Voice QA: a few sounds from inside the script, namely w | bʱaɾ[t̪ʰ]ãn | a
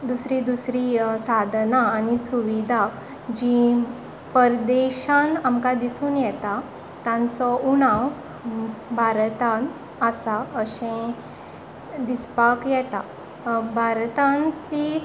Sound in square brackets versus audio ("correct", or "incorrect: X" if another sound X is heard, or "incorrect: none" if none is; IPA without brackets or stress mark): incorrect: t̪